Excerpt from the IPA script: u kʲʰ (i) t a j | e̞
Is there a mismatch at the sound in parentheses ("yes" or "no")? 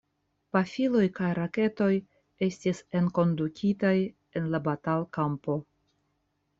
no